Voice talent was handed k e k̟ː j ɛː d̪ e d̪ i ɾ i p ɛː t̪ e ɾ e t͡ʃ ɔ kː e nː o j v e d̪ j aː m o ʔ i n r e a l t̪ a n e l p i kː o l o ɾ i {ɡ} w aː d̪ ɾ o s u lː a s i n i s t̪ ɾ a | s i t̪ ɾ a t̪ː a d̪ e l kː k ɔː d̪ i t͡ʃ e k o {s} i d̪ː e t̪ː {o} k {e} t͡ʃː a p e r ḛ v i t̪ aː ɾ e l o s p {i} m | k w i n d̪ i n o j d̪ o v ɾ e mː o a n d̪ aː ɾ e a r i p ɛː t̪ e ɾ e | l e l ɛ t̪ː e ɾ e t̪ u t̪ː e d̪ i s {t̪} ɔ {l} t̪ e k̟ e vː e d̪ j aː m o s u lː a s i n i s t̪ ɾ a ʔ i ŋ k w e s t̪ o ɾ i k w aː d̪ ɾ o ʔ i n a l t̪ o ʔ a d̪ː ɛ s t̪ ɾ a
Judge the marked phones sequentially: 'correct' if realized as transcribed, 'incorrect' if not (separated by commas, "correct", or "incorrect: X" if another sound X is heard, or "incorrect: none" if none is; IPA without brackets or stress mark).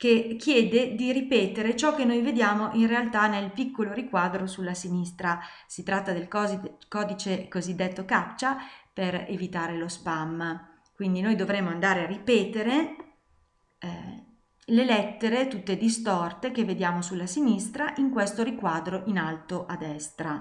incorrect: k, incorrect: z, correct, incorrect: a, incorrect: a, correct, incorrect: r